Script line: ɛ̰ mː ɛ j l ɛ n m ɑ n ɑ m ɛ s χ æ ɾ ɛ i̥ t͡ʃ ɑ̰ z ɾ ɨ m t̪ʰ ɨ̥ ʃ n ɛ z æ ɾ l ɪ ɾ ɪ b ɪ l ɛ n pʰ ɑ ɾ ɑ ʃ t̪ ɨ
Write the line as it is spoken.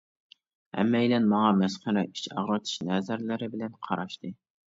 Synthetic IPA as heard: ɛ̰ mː ɛ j l ɛ n m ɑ ŋ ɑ m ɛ s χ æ ɾ ɛ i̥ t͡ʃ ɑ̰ ʁ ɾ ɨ t̪ʰ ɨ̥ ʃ n ɛ z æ ɾ l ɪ ɾ ɪ b ɪ l ɛ n qʰ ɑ ɾ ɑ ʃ t̪ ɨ